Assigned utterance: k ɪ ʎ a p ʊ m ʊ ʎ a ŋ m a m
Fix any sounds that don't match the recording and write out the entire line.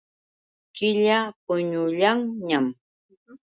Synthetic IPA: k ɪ ʎ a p ʊ ɲ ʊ ʎ a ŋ ɲ a m